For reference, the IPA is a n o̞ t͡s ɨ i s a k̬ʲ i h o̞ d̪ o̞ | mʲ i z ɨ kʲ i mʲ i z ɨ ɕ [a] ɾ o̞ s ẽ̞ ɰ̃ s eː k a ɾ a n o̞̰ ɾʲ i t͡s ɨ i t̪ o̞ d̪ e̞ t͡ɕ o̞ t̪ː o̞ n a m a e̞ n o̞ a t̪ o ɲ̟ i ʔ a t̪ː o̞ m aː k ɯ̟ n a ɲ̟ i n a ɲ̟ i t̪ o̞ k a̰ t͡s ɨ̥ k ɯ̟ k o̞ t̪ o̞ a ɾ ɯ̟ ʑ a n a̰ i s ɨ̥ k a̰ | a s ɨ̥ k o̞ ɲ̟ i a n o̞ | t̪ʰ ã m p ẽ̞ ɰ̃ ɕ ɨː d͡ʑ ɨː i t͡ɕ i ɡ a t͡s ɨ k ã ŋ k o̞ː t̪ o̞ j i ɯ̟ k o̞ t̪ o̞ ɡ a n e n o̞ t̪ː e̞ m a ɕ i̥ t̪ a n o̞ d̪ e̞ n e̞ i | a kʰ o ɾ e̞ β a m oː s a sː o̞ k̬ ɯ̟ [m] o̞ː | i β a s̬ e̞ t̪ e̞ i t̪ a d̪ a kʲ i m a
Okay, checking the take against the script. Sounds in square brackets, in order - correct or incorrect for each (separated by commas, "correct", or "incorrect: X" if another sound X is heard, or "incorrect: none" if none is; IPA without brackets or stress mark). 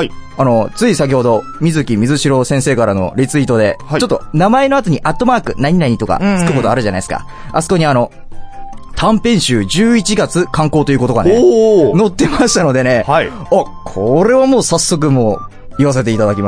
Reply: incorrect: i, correct